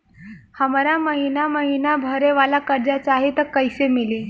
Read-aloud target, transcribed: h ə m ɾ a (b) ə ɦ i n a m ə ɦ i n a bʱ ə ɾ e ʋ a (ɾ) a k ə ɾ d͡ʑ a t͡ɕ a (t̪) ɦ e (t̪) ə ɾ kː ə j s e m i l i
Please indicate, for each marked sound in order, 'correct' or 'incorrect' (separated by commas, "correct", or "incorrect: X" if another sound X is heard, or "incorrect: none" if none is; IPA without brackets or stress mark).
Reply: incorrect: m, incorrect: l, incorrect: none, correct